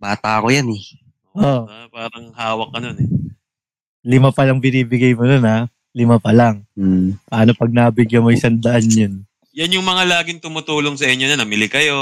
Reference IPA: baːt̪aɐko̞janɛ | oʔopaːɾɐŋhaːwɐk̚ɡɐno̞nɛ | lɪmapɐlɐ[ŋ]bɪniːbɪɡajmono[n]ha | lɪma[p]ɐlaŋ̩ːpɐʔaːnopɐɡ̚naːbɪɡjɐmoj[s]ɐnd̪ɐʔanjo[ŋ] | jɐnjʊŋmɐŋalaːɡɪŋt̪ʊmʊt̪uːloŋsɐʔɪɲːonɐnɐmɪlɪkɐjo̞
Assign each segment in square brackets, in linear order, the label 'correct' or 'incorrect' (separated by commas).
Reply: correct, correct, correct, correct, incorrect